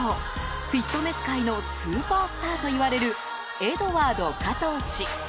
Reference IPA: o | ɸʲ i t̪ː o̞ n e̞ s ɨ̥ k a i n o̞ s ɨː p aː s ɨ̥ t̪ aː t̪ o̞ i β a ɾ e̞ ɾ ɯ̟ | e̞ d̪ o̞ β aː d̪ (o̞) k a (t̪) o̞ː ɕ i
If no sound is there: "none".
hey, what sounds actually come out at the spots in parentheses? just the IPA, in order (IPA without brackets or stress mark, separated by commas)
o̞, t̪